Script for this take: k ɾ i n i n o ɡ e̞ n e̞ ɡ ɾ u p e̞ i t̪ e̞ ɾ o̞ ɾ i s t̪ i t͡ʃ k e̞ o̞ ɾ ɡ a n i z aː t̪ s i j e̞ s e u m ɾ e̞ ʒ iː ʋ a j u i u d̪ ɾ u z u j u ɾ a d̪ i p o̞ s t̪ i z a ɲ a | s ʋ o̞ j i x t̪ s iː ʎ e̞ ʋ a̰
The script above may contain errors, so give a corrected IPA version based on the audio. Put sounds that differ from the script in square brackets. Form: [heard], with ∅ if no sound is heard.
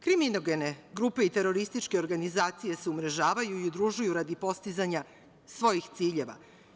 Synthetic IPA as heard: k ɾ i [m] i n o ɡ e̞ n e̞ ɡ ɾ u p e̞ i t̪ e̞ ɾ o̞ ɾ i s t̪ i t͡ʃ k e̞ o̞ ɾ ɡ a n i z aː t̪ s i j e̞ s e u m ɾ e̞ ʒ [aː] ʋ a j u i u d̪ ɾ u [ʒ] u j u ɾ a d̪ i p o̞ s t̪ i z a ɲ a | s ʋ o̞ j i x t̪ s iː ʎ e̞ ʋ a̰